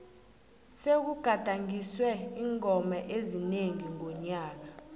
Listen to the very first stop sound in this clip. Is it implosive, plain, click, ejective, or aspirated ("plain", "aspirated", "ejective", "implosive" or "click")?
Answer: plain